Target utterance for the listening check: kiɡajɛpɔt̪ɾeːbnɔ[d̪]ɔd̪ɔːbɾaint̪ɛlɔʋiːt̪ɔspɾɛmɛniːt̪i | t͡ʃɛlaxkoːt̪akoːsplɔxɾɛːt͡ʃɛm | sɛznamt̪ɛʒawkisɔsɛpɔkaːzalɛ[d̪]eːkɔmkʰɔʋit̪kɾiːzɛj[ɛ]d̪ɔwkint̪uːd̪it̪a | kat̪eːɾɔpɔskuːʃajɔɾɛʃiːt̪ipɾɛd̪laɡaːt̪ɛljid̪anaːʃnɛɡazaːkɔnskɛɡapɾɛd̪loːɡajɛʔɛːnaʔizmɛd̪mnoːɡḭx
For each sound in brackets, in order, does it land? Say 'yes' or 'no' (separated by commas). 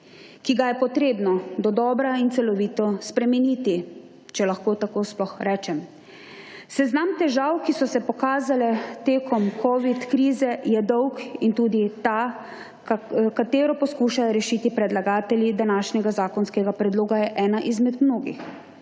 yes, no, yes